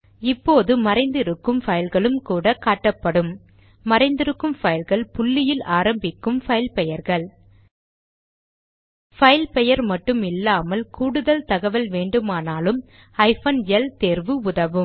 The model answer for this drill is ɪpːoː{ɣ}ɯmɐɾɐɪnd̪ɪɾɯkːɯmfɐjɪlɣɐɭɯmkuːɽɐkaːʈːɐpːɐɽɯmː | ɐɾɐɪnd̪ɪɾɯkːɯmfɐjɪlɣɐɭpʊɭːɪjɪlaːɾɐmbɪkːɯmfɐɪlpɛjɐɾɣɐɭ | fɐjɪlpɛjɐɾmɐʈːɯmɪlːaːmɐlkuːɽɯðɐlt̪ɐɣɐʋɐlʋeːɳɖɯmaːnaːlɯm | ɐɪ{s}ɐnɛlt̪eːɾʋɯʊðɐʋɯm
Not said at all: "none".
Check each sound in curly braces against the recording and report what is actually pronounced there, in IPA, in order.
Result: ð, f

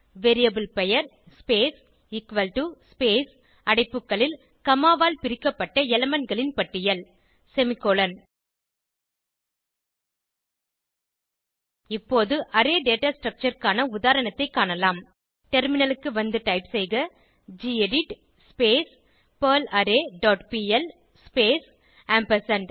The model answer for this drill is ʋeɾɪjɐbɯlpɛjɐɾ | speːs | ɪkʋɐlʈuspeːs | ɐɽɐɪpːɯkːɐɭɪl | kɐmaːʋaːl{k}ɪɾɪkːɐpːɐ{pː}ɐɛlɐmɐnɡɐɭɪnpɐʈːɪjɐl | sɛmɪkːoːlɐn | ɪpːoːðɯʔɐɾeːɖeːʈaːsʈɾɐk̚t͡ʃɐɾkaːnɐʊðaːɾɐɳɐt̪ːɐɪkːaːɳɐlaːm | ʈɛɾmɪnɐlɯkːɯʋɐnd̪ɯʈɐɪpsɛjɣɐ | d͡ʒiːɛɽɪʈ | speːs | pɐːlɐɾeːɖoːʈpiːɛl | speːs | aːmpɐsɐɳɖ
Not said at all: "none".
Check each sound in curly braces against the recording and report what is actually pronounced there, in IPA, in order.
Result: p, ʈː

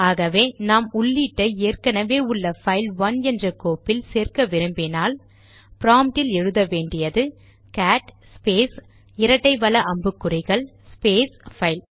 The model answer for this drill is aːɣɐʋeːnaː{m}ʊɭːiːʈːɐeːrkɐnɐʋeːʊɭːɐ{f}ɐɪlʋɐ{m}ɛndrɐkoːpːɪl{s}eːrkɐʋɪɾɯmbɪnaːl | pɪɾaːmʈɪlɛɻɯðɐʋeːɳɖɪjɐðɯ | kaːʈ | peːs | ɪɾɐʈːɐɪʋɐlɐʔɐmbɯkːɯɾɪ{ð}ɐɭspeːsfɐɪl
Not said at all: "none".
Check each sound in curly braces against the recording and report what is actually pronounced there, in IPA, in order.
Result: m, f, n, s, ɣ

